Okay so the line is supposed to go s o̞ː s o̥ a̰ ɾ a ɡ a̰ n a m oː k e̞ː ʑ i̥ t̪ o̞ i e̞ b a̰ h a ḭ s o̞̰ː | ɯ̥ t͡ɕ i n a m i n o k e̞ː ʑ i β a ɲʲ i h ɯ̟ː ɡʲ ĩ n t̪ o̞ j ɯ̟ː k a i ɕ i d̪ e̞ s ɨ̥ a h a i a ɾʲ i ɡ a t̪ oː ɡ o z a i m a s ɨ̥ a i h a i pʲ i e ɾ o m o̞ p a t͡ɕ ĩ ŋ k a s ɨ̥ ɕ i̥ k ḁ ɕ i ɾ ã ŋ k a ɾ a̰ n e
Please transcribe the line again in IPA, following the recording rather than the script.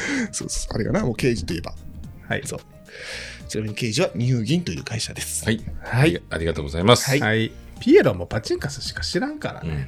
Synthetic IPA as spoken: s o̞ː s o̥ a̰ ɾ e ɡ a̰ n a m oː k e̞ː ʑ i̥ t̪ o̞ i e̞ b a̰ h a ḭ s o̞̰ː | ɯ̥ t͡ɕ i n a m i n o k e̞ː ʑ i β a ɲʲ i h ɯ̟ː ɡʲ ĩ n t̪ o̞ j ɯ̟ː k a i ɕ a d̪ e̞ s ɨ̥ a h a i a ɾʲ i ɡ a t̪ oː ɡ o z a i m a s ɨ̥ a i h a i pʲ i e ɾ o m o̞ p a t͡ɕ ĩ ŋ k a s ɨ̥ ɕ i̥ k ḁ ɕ i ɾ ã ŋ k a ɾ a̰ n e